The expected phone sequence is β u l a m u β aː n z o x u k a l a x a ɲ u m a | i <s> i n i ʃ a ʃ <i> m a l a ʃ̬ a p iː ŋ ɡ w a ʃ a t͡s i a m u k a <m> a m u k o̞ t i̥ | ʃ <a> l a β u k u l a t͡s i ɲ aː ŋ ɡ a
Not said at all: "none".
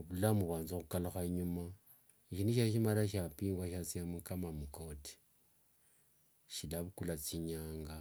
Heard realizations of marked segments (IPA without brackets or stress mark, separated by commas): ʃ, i, m, i